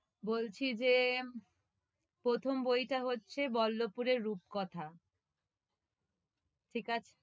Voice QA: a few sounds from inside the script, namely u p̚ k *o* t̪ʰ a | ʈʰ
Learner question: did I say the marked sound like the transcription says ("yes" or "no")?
no